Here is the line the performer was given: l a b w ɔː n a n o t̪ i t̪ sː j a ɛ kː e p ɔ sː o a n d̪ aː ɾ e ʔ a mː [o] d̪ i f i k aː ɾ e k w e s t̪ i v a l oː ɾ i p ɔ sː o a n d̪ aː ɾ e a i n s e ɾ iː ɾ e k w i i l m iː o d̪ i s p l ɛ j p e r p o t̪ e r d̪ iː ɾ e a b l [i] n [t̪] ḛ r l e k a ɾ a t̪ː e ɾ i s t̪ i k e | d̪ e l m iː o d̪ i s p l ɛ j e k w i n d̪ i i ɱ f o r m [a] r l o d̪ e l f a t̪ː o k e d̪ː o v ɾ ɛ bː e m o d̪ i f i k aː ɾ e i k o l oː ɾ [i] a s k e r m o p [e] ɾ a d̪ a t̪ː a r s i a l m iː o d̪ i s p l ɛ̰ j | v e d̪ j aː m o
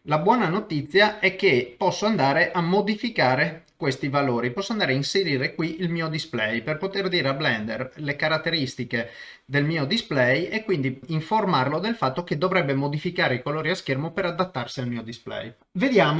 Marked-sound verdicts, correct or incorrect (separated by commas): correct, incorrect, incorrect, correct, correct, correct